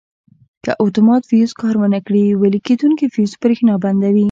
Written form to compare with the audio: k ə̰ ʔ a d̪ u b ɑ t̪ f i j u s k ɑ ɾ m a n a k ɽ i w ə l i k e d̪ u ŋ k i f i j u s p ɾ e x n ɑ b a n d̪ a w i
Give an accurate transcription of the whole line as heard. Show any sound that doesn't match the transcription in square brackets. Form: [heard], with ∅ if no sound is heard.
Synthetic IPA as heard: k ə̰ ʔ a [t̪] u [m] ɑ t̪ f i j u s k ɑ ɾ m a n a k ɽ i w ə l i k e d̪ u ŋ k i f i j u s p ɾ e x n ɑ b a n d̪ a w i